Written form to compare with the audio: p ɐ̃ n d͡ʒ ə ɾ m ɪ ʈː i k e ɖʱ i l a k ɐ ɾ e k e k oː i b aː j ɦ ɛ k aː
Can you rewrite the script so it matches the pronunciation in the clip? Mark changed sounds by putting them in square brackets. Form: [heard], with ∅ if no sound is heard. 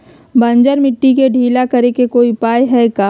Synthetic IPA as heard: [b] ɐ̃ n d͡ʒ ə ɾ m ɪ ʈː i k e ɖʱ [iː] l a k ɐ ɾ e k e k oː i [p] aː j ɦ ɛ k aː